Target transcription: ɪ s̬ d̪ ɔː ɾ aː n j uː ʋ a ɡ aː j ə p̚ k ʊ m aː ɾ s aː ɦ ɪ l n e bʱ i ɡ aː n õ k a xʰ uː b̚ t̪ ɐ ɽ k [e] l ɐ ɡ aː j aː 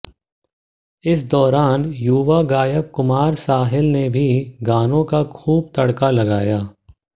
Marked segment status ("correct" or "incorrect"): incorrect